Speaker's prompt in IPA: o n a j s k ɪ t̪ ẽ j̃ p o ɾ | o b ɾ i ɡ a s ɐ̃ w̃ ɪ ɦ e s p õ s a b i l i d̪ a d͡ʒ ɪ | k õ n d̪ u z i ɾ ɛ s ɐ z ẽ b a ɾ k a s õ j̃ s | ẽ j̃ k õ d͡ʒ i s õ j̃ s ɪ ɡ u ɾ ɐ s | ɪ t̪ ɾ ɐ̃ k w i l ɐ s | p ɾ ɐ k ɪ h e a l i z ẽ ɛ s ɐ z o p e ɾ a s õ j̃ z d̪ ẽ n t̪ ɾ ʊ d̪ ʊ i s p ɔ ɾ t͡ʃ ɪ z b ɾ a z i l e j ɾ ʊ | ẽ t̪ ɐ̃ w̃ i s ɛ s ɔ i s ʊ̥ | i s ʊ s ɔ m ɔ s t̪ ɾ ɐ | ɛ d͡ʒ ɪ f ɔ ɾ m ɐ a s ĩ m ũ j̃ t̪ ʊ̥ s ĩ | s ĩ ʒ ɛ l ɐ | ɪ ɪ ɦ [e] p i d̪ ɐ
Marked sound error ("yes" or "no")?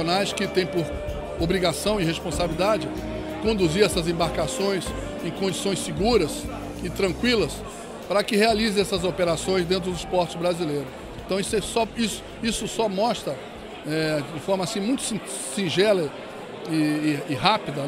yes